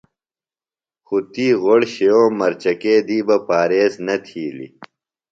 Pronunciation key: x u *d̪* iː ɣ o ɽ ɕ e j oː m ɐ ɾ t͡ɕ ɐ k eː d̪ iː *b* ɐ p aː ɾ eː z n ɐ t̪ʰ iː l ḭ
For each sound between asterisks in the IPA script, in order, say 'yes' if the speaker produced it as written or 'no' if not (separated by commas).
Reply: no, yes